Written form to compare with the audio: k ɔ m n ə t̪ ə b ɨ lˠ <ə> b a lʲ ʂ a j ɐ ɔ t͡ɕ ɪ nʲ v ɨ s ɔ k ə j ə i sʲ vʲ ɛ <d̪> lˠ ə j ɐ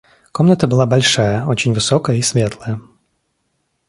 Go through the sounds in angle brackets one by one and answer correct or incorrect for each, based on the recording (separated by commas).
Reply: incorrect, incorrect